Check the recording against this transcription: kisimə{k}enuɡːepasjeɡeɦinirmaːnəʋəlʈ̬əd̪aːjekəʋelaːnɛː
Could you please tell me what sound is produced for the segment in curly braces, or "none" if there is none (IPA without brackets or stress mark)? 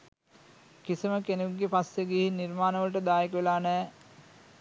k